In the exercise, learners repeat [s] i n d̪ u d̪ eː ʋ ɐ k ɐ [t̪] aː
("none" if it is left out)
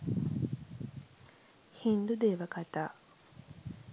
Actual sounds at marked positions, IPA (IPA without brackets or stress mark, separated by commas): h, t̪